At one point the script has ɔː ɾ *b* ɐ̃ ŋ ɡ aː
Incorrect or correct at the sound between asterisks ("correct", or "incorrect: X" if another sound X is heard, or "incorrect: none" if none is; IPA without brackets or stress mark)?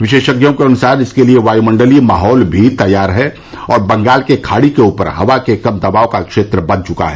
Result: correct